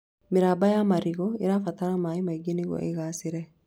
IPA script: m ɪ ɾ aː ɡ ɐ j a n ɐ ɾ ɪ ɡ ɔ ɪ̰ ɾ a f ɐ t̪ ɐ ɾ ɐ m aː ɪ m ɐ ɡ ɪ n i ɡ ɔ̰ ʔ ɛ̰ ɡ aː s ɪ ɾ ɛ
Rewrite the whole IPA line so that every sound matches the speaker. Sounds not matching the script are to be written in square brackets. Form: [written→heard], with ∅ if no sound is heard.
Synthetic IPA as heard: m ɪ ɾ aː [ɡ→b] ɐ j a [n→m] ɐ ɾ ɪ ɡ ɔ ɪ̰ ɾ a f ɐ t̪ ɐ ɾ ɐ m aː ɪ m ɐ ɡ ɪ n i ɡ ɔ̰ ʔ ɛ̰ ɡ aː s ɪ ɾ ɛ

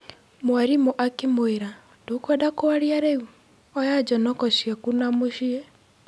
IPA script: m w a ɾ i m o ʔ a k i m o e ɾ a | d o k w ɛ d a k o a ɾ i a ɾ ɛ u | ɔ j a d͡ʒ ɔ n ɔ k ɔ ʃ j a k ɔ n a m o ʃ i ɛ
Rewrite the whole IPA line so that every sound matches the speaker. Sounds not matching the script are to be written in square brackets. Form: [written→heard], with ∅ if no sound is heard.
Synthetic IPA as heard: m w a ɾ i m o ʔ a k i m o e ɾ a | d o k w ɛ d a k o a ɾ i a ɾ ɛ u | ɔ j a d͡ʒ ɔ n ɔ k ɔ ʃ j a k [ɔ→u] n a m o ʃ i ɛ

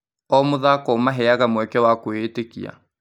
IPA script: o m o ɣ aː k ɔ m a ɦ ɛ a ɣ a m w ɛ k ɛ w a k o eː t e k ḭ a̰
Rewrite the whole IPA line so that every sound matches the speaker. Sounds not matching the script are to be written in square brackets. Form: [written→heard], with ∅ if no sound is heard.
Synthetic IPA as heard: [o→ɔ] m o [ɣ→ð] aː k ɔ m a ɦ ɛ a ɣ a m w ɛ k ɛ w a k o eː t e k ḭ a̰

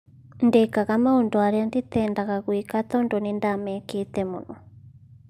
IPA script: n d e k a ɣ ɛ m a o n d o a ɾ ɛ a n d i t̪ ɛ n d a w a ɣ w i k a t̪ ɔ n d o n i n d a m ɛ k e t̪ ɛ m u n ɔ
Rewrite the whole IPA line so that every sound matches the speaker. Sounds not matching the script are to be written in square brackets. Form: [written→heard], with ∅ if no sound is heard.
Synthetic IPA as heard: n d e k a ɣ [ɛ→a] m a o n d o a ɾ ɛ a n d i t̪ ɛ n d a [w→ɣ] a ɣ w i k a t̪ ɔ n d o n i n d a m ɛ k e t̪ ɛ m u n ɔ

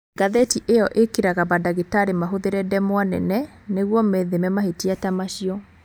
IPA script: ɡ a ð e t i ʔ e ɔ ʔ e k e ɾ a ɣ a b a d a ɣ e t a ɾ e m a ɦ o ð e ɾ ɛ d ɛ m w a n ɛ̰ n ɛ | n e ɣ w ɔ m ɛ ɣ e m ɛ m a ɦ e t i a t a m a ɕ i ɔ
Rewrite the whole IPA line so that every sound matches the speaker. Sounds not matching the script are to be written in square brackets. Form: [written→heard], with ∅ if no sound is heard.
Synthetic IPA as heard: ɡ a ð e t i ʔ e ɔ ʔ e k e ɾ a ɣ a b a d a ɣ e t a ɾ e m a ɦ o ð e ɾ ɛ d ɛ m w a n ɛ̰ n ɛ | n e ɣ w ɔ m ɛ [ɣ→ð] e m ɛ m a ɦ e t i a t a m a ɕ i ɔ

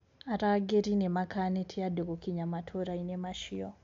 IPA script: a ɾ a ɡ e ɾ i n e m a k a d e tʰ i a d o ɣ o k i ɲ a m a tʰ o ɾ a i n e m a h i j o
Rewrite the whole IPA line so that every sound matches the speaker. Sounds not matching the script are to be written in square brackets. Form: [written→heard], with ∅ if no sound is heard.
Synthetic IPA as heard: a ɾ a ɡ e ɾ i n e m a k a [d→n] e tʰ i a d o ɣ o k i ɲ a m a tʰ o ɾ a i n e m a [h→ʃ] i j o

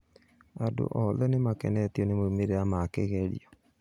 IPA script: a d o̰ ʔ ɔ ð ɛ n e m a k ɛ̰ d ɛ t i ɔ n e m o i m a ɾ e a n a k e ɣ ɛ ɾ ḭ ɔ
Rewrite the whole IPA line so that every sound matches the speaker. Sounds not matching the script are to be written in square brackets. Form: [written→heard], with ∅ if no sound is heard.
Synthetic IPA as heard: a d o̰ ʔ ɔ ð ɛ n e m a k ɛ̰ [d→n] ɛ t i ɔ n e m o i m [a→e] ɾ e a [n→m] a k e ɣ ɛ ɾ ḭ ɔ

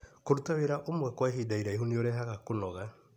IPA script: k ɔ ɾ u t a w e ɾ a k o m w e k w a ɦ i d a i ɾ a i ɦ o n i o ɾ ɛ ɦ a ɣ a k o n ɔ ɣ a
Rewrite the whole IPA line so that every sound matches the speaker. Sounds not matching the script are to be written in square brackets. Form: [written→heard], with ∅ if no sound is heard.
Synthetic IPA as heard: k [ɔ→o] ɾ u t a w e ɾ a [k→ʔ] o m w [e→ɛ] k w a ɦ i d a i ɾ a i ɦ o n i o ɾ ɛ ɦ a ɣ a k o n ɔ ɣ a

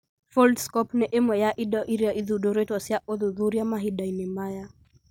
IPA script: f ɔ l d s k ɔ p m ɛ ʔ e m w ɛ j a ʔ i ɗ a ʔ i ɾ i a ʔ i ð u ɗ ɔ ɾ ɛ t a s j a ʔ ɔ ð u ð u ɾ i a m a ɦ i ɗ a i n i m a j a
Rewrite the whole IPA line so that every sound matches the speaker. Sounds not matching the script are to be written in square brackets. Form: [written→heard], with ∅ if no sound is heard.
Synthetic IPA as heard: f ɔ l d s k ɔ p [m→n] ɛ ʔ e m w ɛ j a ʔ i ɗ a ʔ i ɾ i a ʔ i ð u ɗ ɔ ɾ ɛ t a s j a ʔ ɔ ð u ð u ɾ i a m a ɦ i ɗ a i n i m a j a

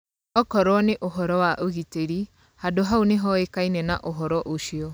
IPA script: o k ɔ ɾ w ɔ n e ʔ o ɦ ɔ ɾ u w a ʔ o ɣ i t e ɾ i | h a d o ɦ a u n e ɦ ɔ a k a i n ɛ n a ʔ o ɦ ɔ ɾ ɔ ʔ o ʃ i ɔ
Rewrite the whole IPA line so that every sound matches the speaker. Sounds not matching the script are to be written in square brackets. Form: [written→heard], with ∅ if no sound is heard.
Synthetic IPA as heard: [o→ɔ] k ɔ ɾ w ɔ n e ʔ o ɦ ɔ ɾ [u→ɔ] w a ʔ o ɣ i t e ɾ i | h a d o ɦ a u n e ɦ ɔ [a→e] k a i n ɛ n a ʔ o ɦ ɔ ɾ ɔ ʔ o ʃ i ɔ

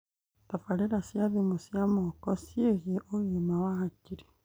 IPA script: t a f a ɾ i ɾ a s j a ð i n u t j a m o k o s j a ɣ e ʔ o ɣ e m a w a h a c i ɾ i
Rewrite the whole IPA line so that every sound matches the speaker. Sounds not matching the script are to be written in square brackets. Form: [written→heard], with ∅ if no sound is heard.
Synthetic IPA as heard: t a f a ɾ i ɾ a s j a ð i [n→m] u [t→s] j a m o k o s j [a→e] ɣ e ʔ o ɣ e m a w a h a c i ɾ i

